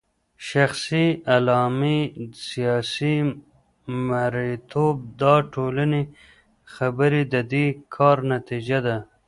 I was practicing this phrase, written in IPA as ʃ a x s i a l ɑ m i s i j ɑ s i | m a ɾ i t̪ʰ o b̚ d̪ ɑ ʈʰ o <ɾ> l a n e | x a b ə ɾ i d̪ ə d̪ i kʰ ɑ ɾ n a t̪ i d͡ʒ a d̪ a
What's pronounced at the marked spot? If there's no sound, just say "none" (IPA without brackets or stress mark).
none